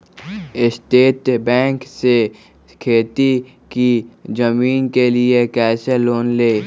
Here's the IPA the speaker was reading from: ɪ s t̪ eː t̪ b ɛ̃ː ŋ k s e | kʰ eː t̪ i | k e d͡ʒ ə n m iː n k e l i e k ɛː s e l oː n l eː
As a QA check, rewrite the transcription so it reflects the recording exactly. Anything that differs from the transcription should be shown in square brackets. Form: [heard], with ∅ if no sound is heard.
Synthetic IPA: ɪ s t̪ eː t̪ b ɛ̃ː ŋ k s e | kʰ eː t̪ i | k [i] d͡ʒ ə [∅] m iː n k e l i e k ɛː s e l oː n l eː